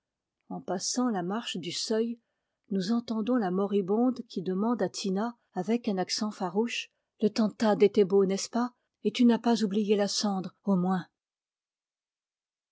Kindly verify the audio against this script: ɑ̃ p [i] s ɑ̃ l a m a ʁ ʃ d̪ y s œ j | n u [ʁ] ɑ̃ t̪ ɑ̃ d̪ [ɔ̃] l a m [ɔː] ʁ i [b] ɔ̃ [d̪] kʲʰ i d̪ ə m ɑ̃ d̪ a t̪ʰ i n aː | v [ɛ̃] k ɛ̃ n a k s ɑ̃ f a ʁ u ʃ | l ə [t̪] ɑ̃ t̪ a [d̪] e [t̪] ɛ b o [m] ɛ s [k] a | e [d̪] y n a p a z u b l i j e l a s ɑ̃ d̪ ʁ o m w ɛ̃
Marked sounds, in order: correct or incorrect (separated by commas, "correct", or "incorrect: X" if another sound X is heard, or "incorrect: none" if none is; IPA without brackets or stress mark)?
incorrect: a, incorrect: z, correct, incorrect: ɔ, correct, correct, incorrect: ɛ, correct, correct, correct, incorrect: n, incorrect: p, incorrect: t̪